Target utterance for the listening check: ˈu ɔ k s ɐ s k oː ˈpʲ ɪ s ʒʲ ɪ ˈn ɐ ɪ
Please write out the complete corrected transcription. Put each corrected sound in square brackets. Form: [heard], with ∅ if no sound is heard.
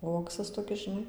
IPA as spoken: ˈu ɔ k s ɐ s [t] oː [ˈkʲ] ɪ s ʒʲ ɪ ˈn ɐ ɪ